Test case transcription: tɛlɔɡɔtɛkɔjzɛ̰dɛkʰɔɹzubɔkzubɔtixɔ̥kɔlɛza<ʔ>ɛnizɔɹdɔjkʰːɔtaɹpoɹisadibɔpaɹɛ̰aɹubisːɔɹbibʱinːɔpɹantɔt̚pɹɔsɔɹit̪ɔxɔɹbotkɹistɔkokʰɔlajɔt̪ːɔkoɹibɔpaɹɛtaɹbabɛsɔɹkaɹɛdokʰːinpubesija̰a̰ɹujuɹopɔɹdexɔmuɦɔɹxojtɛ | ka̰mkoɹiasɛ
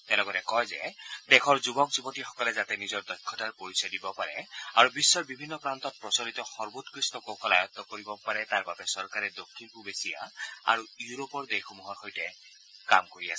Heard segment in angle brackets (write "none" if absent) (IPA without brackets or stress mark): t